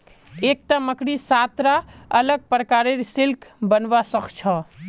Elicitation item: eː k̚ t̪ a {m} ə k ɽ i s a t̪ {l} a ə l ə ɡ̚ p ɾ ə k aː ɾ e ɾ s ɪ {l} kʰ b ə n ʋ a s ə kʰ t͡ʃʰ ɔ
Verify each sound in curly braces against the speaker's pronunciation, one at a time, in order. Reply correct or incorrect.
correct, incorrect: ɾ, correct

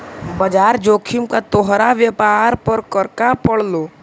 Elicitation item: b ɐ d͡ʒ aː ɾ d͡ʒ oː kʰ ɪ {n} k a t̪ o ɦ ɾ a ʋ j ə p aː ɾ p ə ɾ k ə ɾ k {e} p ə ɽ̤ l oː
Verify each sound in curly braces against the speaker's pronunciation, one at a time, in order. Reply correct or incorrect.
incorrect: m, incorrect: a

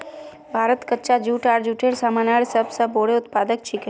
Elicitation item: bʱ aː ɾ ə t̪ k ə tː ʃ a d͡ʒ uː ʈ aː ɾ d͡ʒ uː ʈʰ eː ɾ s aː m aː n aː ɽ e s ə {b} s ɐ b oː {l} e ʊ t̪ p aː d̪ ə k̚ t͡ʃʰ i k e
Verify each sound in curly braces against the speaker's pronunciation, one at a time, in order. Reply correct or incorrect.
correct, incorrect: ɽ

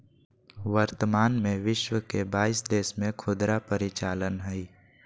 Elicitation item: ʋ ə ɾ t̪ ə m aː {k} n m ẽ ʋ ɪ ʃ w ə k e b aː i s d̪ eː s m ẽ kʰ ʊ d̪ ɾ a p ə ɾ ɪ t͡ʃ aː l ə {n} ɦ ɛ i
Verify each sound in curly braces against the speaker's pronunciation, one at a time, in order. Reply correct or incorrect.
incorrect: none, correct

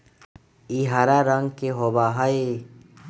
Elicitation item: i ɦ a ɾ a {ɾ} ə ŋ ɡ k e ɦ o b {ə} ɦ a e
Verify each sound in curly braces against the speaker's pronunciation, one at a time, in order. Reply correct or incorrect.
correct, incorrect: a

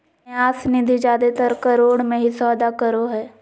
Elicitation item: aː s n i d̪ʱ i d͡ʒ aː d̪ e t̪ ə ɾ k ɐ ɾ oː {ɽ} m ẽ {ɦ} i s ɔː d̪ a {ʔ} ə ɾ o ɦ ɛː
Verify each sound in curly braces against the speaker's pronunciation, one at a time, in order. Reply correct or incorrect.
correct, correct, incorrect: k

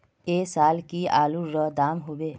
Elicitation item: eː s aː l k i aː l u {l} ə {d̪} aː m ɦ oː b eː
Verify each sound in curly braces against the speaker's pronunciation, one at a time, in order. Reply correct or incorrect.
incorrect: ɾ, correct

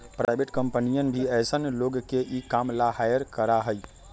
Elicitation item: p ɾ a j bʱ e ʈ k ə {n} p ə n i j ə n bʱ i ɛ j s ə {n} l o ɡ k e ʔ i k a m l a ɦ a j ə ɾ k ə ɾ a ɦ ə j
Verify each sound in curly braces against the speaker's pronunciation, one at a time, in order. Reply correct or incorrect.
incorrect: m, correct

